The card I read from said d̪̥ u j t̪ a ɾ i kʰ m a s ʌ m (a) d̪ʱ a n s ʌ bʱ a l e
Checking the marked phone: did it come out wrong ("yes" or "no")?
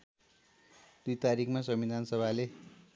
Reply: yes